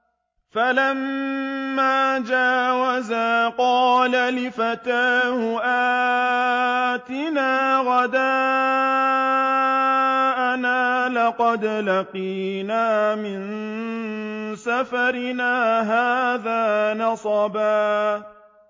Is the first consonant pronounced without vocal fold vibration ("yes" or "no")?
yes